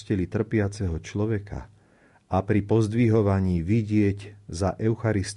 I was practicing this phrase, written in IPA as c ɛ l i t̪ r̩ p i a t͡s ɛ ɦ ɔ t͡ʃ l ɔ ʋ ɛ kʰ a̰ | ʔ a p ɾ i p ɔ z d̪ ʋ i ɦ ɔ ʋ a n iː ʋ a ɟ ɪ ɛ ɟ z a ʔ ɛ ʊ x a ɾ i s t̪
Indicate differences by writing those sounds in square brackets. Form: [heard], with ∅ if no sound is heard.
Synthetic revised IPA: c ɛ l i t̪ r̩ p [ɪ] a t͡s ɛ ɦ ɔ t͡ʃ l ɔ ʋ ɛ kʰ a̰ | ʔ a p ɾ i p ɔ z d̪ ʋ i ɦ ɔ ʋ a [ɲ] iː ʋ [i] ɟ ɪ ɛ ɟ z a ʔ ɛ ʊ x a ɾ i s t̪